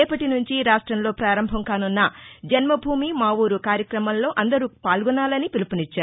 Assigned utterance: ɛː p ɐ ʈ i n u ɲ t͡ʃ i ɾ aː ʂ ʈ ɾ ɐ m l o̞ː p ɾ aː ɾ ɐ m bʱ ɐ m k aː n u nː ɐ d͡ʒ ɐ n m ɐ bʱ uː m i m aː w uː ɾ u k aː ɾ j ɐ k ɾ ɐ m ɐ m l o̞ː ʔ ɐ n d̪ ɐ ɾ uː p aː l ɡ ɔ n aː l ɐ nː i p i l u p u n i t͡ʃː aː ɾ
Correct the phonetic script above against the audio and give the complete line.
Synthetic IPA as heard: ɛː p ɐ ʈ i n u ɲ t͡ʃ i ɾ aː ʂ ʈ ɾ ɐ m l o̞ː p ɾ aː ɾ ɐ m bʱ ɐ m k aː n u nː ɐ d͡ʒ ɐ n m ɐ bʱ uː m i m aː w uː ɾ u k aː ɾ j ɐ k ɾ ɐ m ɐ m l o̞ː ʔ ɐ n d̪ ɐ ɾ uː p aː l ɡ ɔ n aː l ɐ n i p i l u p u n i t͡ʃː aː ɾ